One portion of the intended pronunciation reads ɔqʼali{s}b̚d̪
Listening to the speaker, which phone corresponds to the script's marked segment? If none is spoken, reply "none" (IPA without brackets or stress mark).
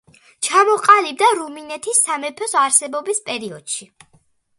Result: none